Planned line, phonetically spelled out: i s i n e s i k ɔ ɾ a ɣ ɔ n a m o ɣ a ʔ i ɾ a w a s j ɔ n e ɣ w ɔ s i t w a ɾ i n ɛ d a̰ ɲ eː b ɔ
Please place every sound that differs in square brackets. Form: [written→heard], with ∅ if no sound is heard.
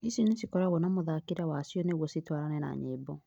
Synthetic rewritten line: i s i n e s i k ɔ ɾ a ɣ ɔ n a m o [ɣ→ð] a [ʔ→k] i ɾ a w a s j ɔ n e ɣ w ɔ s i t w a ɾ [i→a] n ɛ [d→n] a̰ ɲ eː b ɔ